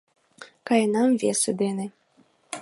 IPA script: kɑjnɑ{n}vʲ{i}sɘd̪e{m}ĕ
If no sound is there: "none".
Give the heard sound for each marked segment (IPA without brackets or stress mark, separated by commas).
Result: m, e, n